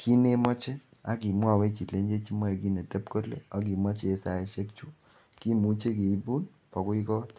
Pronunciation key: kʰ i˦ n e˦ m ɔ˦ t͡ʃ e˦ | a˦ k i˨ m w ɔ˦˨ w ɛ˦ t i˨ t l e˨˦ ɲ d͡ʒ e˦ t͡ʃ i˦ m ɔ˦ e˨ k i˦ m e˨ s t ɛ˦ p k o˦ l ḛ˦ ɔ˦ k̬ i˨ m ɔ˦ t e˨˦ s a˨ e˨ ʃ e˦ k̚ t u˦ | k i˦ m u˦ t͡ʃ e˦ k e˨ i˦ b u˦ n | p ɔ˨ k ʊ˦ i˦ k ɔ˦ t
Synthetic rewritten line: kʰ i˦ n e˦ m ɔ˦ t͡ʃ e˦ | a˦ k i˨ m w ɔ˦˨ w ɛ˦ t͡ʃ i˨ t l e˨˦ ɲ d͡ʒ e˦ t͡ʃ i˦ m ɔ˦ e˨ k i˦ n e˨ t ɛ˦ p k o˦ l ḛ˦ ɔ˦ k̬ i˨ m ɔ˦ t͡ʃ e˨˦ s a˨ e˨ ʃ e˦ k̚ t͡ʃ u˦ | k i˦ m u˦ t͡ʃ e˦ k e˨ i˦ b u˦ n | p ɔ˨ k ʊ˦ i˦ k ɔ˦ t